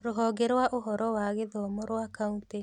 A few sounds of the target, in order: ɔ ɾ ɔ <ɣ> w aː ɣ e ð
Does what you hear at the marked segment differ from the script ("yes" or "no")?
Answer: yes